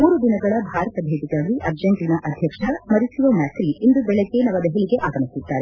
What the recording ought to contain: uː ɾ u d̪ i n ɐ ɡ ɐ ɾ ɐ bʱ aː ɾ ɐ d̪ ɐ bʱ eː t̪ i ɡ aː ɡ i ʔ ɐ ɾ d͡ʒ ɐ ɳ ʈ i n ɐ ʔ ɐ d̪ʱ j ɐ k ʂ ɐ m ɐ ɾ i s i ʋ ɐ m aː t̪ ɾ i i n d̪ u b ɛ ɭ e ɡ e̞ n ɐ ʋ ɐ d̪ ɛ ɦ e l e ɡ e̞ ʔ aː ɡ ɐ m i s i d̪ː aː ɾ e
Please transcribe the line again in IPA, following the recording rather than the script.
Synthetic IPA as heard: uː ɾ u d̪ i n ɐ ɡ ɐ ɭ ɐ bʱ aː ɾ ɐ t̪ ɐ bʱ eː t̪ i ɡ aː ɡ i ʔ ɐ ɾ d͡ʒ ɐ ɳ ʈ i n ɐ ʔ ɐ d̪ʱ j ɐ k ʂ ɐ m ɐ ɾ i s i ʋ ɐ m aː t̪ ɾ i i n d̪ u b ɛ ɭ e ɡ e̞ n ɐ ʋ ɐ d̪ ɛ ɦ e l i ɡ e̞ ʔ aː ɡ ɐ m i s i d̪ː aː ɾ e

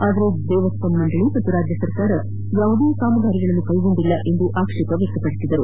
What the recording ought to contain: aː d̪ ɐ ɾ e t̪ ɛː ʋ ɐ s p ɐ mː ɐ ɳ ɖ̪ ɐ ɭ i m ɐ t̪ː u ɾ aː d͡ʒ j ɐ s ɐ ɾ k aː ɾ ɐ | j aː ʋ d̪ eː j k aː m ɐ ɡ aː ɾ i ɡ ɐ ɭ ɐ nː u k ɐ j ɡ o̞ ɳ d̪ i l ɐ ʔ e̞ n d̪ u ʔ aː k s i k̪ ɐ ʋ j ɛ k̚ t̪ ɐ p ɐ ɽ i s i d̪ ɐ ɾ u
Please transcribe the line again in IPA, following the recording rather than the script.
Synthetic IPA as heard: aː d̪ ɐ ɾ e d̪ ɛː ʋ ɐ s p ɐ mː ɐ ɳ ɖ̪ ɐ ɭ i m ɐ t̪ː u ɾ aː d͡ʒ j ɐ s ɐ ɾ k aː ɾ ɐ | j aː ʋ d̪ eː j k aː m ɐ ɡ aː ɾ i ɡ ɐ ɭ ɐ nː u k ɐ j ɡ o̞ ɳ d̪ i lː ɐ ʔ e̞ n d̪ u ʔ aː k ʂ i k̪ ɐ ʋ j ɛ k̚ t̪ ɐ p ɐ ɽ i s i d̪ ɐ ɾ u

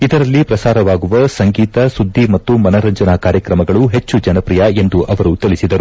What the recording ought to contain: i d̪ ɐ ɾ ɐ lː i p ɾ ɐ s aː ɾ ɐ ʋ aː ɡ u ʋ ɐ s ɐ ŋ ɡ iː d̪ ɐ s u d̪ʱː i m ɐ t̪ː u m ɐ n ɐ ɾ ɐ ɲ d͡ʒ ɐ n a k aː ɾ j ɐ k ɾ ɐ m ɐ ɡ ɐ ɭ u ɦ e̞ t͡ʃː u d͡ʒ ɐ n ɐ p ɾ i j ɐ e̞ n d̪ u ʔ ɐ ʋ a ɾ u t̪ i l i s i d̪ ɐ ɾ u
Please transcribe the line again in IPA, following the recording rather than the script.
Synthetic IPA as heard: i d̪ ɐ ɾ ɐ lː i p ɾ ɐ s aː ɾ ɐ ʋ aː ɡ u ʋ ɐ s ɐ ŋ ɡ iː t̪ ɐ s u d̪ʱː i m ɐ t̪ː u m ɐ n ɐ ɾ ɐ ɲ d͡ʒ ɐ n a k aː ɾ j ɐ k ɾ ɐ m ɐ ɡ ɐ ɭ u ɦ e̞ t͡ʃː u d͡ʒ ɐ n ɐ p ɾ i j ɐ e̞ n d̪ u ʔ ɐ ʋ ɐ ɾ u t̪ i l i s i d̪ ɐ ɾ u

